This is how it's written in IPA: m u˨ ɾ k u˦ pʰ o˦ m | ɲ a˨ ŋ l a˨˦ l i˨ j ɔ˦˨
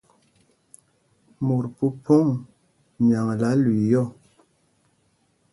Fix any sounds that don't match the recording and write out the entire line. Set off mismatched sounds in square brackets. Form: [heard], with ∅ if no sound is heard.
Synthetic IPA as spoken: m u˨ ɾ [p] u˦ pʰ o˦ [ŋ] | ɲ a˨ ŋ l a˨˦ l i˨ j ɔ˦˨

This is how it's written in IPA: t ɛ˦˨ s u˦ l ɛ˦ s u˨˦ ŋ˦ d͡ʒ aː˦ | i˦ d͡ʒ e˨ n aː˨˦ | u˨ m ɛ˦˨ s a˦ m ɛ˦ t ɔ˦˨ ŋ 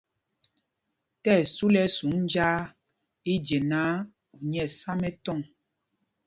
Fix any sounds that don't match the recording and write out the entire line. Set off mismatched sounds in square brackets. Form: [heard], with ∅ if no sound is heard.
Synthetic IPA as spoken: t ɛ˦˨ s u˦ l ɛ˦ s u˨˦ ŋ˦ d͡ʒ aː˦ | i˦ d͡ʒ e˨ n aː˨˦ | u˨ [ɲ] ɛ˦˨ s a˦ m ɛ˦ t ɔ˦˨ ŋ

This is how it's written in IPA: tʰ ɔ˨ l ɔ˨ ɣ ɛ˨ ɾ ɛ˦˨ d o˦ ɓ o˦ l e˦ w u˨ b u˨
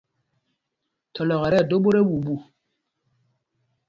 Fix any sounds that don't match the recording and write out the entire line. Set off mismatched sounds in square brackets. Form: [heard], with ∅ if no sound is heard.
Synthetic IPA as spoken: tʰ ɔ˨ l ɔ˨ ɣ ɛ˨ ɾ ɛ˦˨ d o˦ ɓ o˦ [ɾ] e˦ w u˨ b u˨

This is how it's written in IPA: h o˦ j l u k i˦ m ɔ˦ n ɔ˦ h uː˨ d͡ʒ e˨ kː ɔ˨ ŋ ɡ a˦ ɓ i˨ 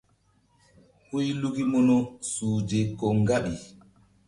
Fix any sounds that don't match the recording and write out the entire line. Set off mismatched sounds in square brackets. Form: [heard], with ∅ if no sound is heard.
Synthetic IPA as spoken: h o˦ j l u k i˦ m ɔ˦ n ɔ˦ [s] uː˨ d͡ʒ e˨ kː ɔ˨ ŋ ɡ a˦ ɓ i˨

